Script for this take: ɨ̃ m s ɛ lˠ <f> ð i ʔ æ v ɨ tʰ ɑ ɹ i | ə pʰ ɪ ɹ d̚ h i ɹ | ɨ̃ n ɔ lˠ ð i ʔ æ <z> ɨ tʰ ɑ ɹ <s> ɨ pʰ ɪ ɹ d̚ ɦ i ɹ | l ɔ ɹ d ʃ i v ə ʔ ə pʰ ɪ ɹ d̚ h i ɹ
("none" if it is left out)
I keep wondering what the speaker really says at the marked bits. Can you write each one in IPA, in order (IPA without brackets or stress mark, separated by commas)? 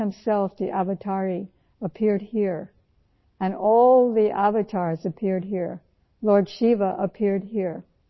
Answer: f, v, z